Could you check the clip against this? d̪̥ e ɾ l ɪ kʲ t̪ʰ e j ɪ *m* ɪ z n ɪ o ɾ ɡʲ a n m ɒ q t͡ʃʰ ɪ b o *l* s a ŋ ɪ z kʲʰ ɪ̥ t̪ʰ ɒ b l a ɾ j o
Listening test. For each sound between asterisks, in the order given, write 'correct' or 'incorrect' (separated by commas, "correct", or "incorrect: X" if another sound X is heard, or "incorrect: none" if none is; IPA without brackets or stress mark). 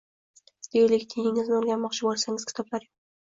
incorrect: ŋ, correct